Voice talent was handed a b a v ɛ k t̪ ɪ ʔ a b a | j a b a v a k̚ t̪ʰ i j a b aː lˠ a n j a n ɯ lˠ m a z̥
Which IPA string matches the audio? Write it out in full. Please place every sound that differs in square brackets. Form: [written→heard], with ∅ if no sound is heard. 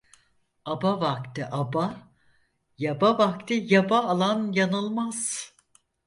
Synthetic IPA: a b a v [ɛ→a] k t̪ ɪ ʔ a b a | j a b a v a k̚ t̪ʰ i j a b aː lˠ a n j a n ɯ lˠ m a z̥